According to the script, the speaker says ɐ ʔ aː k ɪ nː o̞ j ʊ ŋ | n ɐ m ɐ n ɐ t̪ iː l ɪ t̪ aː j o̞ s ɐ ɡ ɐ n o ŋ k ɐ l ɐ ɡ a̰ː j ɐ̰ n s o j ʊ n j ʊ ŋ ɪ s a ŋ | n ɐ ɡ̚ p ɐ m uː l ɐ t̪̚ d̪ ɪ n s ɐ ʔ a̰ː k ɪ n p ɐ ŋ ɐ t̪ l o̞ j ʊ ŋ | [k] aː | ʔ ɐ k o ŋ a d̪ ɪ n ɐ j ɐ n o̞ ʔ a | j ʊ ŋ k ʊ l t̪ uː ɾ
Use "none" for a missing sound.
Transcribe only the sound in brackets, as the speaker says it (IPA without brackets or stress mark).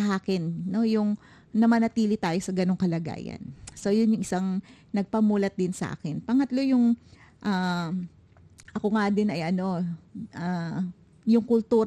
ʔ